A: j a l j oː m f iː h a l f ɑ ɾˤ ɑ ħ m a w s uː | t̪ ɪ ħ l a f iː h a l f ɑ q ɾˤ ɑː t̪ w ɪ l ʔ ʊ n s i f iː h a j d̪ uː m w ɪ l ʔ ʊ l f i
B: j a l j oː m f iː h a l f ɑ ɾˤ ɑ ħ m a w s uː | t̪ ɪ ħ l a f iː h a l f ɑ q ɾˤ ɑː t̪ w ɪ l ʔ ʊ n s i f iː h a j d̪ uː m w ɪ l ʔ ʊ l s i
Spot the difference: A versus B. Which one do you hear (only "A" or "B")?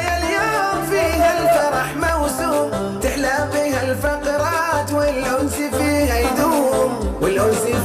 B